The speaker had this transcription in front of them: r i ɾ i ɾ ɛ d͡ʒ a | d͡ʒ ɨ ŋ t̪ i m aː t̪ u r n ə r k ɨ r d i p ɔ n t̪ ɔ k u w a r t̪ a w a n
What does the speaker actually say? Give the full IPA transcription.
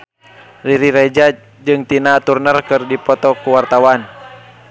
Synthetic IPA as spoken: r i ɾ i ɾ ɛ d͡ʒ a | d͡ʒ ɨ ŋ t̪ i n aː t̪ u r n ə r k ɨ r d i p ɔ t̪ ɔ k u w a r t̪ a w a n